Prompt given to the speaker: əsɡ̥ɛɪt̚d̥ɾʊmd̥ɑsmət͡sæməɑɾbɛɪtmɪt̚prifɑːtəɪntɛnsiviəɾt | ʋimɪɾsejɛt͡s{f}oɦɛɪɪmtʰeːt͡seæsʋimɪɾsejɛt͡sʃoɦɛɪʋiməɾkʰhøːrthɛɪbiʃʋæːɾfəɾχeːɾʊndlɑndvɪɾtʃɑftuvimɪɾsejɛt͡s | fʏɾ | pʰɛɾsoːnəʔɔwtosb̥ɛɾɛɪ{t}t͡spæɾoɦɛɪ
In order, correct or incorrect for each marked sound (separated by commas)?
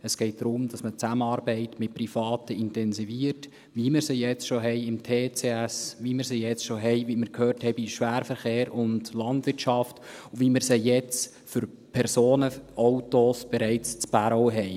incorrect, incorrect